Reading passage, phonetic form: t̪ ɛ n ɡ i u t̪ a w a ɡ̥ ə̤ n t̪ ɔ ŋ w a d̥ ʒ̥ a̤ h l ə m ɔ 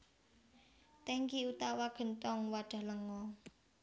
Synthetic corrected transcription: t̪ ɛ ŋ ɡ i u t̪ a w a ɡ̥ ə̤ n t̪ ɔ ŋ w a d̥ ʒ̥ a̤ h l ə ŋ ɔ

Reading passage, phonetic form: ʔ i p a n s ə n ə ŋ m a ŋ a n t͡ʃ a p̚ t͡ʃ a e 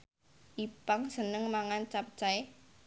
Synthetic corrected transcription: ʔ i p a ŋ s ə n ə ŋ m a ŋ a n t͡ʃ a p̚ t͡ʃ a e

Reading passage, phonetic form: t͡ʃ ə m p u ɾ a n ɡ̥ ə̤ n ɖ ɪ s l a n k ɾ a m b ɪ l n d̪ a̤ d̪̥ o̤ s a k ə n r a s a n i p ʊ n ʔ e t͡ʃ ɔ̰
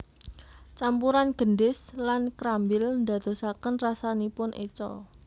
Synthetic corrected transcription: t͡ʃ a m p u ɾ a n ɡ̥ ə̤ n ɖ ɪ s l a n k ɾ a m b ɪ l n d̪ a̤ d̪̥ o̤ s a k ə n r a s a n i p ʊ n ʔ e t͡ʃ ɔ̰

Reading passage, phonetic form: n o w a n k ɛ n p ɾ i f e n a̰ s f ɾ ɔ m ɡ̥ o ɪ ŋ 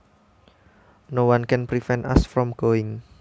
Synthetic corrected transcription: n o w a n k ɛ n p ɾ i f ɛ n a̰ s f ɾ ɔ m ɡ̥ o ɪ ŋ

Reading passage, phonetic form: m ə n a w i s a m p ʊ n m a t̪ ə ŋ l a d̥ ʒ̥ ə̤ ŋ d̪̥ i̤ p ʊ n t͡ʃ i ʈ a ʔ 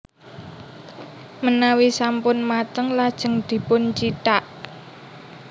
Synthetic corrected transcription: m ə n a w i s a m p ʊ n m a t̪ ə ŋ l a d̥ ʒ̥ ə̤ ŋ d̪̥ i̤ p ʊ n t͡ʃ i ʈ a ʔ

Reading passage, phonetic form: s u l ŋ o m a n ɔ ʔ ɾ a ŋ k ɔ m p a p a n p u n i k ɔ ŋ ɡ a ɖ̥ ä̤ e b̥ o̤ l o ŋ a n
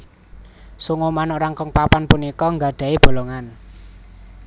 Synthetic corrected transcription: s u ŋ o m a n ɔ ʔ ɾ a ŋ k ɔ ŋ p a p a n p u n i k ɔ ŋ ɡ a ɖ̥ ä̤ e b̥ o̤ l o ŋ a n

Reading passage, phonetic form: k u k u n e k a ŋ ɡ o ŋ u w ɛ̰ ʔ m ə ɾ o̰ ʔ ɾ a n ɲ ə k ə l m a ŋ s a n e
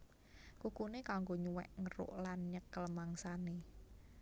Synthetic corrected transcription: k u k u n e k a ŋ ɡ o ɲ u w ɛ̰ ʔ ŋ ə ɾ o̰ ʔ l a n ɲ ə k ə l m a ŋ s a n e

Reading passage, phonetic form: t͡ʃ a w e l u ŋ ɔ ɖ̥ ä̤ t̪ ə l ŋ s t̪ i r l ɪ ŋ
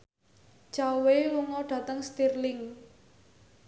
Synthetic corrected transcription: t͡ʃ a w e l u ŋ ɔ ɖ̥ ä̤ t̪ ə ŋ s t̪ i r l ɪ ŋ

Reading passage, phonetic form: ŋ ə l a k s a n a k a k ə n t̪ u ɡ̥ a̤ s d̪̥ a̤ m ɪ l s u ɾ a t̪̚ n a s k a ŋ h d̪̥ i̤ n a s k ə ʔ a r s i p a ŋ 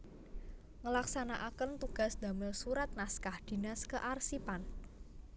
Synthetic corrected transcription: ŋ ə l a k s a n a ʔ a k ə n t̪ u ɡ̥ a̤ s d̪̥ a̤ m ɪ l s u ɾ a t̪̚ n a s k a h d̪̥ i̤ n a s k ə ʔ a r s i p a n

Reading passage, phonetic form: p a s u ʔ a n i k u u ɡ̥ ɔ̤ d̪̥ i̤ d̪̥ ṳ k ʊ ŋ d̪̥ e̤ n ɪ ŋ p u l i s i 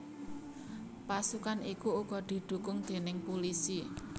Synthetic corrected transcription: p a s u k a n i k u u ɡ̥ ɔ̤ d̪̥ i̤ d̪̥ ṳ k ʊ ŋ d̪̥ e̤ n ɪ ŋ p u l i s i

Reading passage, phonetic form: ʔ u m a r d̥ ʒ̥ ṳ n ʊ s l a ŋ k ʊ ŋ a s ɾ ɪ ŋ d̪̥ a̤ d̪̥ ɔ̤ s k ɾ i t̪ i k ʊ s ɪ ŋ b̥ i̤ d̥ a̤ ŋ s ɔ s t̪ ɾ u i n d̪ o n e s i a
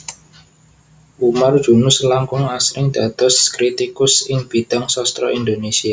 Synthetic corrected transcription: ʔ u m a r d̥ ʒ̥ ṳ n ʊ s l a ŋ k ʊ ŋ a s ɾ ɪ ŋ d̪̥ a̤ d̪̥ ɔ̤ s k ɾ i t̪ i k ʊ s ɪ ŋ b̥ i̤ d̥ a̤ ŋ s ɔ s t̪ ɾ ɔ i n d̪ o n e s i a

